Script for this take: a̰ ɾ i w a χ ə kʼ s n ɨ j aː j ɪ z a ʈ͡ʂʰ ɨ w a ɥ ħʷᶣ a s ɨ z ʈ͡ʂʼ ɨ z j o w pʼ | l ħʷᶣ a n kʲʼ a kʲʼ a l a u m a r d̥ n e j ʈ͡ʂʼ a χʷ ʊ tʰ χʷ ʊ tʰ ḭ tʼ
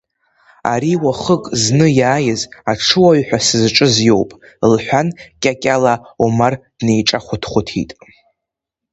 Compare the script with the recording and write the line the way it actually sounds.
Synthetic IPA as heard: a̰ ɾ i w a χ ə kʼ z n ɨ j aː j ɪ z a ʈ͡ʂʰ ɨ w a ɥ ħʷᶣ a s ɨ z ʈ͡ʂʼ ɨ z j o w pʼ | l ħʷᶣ a n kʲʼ a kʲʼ a l a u m a r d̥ n e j ʈ͡ʂʼ a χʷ ʊ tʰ χʷ ʊ tʰ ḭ tʼ